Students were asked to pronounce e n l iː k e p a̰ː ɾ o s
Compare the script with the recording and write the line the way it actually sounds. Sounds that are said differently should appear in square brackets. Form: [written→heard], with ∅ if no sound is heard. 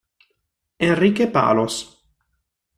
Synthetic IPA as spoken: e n [l→r] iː k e p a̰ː [ɾ→l] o s